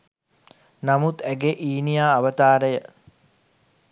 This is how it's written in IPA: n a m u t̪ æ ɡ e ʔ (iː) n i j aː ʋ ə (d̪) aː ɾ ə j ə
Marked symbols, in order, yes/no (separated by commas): yes, no